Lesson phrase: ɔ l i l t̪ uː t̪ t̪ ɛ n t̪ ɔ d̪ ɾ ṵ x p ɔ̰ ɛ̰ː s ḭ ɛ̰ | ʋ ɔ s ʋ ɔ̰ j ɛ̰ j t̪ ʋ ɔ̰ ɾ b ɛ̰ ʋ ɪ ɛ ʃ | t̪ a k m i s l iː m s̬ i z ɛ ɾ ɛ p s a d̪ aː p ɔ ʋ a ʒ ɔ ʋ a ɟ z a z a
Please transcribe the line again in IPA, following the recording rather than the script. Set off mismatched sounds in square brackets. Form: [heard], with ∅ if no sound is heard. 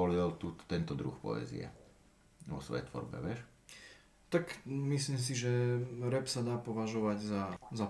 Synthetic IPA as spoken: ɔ l i l t̪ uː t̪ t̪ ɛ n t̪ ɔ d̪ ɾ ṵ x p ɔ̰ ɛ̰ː [z] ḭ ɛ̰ | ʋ ɔ s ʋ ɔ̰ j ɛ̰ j t̪ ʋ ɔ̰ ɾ b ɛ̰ ʋ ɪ ɛ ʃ | t̪ a k m i s l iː m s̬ i [ʒ] ɛ ɾ ɛ p s a d̪ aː p ɔ ʋ a ʒ ɔ ʋ a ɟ z a z a